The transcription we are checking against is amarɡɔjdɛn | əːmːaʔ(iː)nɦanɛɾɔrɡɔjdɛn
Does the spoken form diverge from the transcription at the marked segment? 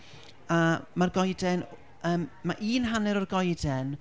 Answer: no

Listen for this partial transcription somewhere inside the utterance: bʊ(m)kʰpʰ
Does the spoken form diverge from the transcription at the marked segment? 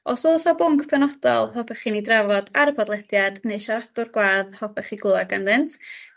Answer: yes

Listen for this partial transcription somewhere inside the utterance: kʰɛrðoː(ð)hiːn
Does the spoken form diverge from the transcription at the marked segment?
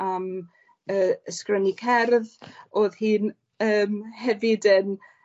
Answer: no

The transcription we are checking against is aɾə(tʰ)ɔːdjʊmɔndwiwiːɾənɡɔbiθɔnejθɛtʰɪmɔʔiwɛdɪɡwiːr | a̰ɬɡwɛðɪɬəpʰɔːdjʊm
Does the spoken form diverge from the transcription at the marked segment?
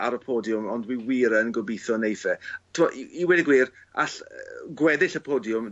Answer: yes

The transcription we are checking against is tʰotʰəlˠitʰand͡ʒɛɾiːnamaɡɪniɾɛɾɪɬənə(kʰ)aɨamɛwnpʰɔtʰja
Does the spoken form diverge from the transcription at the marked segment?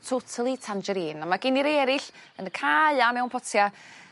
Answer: no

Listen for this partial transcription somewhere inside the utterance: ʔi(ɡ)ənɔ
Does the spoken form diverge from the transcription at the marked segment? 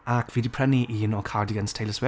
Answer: yes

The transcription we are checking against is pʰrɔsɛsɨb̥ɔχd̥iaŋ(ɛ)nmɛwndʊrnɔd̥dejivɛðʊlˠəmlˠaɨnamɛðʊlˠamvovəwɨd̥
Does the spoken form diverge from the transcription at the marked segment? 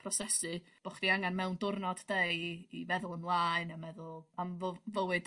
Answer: yes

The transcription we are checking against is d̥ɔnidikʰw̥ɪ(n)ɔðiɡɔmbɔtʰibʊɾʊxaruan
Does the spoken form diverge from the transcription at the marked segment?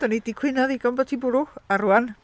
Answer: no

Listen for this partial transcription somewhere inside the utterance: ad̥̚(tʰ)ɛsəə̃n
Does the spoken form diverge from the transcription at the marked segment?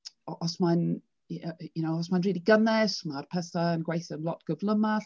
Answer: yes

